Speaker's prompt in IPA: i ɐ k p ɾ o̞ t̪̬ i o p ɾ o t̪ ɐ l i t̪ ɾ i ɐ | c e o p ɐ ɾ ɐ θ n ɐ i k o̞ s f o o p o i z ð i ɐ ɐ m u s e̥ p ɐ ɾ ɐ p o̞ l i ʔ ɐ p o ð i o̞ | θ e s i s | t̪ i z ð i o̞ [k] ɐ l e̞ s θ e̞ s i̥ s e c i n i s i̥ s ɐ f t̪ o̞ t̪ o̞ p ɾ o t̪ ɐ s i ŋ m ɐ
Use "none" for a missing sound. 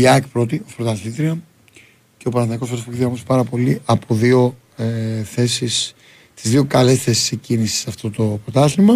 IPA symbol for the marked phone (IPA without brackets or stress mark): k